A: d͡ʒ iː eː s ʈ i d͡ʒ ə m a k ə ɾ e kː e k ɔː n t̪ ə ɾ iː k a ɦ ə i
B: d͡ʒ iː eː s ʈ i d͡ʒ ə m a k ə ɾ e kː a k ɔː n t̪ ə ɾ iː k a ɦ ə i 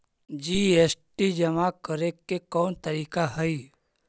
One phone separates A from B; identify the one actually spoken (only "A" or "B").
A